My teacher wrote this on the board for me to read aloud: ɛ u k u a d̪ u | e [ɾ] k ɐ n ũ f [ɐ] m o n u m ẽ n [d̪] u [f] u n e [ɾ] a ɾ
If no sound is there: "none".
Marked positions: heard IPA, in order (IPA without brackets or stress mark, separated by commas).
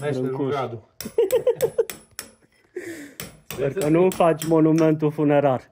ɾ, a, t̪, f, ɾ